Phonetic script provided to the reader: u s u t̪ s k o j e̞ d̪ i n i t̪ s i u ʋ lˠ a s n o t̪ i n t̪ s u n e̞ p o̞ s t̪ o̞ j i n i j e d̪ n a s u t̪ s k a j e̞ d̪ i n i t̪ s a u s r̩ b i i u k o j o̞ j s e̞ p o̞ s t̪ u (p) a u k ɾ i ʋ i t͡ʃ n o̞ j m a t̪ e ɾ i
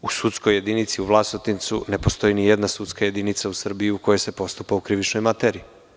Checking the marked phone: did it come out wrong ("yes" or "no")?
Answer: no